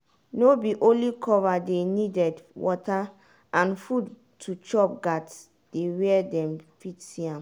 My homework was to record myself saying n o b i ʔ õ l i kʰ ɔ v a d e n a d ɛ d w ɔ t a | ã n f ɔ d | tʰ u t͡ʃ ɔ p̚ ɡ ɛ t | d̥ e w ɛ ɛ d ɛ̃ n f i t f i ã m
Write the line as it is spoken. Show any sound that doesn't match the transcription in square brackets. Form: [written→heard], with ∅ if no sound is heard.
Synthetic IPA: n o b i ʔ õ l i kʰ ɔ v a d e n [a→i] d ɛ d w ɔ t a | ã n f [ɔ→u] d | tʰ u t͡ʃ ɔ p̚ ɡ [ɛ→a] t | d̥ e w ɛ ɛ d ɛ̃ [n→m] f i t [f→s] i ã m